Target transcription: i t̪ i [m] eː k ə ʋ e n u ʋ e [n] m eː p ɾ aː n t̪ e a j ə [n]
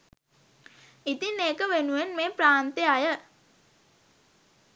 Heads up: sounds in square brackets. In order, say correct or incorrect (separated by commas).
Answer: incorrect, correct, incorrect